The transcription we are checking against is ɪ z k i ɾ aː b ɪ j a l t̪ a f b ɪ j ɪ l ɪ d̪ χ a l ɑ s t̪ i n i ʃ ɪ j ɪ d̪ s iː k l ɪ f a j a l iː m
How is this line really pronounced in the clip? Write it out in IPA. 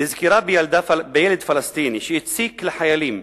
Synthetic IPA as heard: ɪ z k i ɾ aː b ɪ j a l d̪ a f b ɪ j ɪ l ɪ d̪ f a l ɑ s t̪ iː n i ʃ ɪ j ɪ t̪ s iː k l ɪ ħ a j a l iː m